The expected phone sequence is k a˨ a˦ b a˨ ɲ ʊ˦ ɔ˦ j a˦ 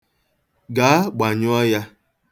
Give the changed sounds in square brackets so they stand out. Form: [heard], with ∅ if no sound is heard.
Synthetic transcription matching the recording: [ɡ] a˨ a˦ [ɡ͡b] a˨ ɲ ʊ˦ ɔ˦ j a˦